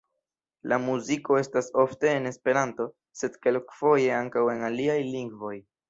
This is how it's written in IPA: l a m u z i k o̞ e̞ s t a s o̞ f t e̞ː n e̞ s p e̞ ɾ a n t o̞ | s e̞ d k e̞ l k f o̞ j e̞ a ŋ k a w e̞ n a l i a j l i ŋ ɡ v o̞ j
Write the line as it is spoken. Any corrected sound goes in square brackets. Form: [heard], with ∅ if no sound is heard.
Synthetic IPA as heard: l a m u z i k o̞ e̞ s t a s o̞ f t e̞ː n e̞ s p e̞ ɾ a n t o̞ | s e̞ d k e̞ l k f o̞ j e̞ a ŋ k a w e̞ n a l i a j l i ŋ ɡ v o̞ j